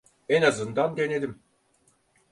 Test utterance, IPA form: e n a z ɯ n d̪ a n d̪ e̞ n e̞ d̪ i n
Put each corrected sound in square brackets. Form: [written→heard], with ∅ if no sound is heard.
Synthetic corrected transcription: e n a z ɯ n d̪ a n d̪ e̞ n e̞ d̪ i [n→m]